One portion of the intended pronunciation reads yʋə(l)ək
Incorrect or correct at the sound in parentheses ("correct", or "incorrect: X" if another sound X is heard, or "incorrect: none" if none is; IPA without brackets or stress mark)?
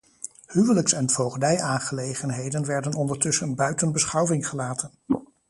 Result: correct